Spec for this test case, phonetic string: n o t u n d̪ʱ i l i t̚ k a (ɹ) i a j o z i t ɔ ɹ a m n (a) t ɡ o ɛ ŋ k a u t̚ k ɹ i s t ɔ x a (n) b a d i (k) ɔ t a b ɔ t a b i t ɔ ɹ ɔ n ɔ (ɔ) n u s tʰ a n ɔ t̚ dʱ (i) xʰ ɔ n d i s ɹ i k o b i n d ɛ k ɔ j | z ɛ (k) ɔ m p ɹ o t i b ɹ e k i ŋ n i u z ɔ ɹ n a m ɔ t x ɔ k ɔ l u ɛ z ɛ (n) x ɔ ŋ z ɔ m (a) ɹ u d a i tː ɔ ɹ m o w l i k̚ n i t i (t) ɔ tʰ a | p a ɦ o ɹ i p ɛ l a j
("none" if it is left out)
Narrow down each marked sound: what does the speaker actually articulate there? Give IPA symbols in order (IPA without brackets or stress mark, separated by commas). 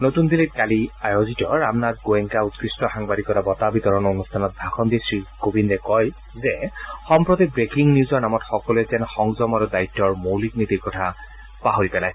l, a, ŋ, k, o, a, x, n, a, k